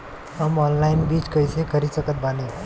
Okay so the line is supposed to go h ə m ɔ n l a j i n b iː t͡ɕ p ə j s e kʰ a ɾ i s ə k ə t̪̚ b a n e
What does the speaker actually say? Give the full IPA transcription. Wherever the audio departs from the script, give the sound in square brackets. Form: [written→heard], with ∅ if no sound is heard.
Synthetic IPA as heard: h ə m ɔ n l a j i n b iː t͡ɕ [p→k] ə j s e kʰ [a→ə] ɾ i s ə k ə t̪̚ b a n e